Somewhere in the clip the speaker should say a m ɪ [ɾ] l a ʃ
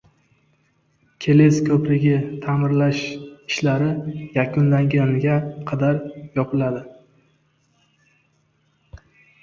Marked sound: correct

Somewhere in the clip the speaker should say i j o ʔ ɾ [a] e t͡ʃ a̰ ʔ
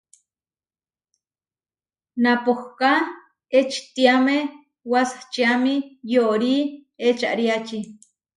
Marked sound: incorrect: i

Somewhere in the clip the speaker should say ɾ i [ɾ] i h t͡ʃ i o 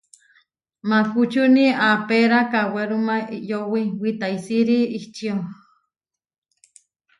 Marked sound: incorrect: none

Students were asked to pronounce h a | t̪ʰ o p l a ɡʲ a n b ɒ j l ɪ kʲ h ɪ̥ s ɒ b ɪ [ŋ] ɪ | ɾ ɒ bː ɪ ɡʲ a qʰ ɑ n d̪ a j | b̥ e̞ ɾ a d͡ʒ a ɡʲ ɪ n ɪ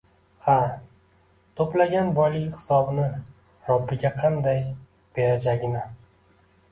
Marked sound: incorrect: n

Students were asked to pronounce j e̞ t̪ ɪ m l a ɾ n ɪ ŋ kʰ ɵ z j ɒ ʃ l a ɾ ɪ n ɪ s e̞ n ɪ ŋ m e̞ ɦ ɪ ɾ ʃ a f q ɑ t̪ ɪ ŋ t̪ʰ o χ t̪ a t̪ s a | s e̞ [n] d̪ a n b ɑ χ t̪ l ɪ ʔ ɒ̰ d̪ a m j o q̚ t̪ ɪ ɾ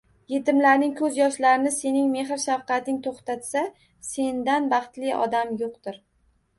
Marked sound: correct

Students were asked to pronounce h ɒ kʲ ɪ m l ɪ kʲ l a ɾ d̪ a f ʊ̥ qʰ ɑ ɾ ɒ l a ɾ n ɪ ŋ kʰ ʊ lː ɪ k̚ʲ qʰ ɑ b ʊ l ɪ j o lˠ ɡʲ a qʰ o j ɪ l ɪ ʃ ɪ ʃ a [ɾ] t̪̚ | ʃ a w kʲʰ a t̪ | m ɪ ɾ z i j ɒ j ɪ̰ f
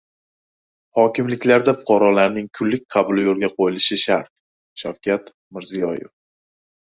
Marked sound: correct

